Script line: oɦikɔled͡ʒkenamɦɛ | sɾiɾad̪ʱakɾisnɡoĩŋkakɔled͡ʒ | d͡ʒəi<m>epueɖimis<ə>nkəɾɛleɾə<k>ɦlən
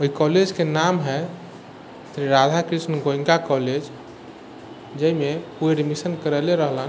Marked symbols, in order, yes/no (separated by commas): yes, yes, no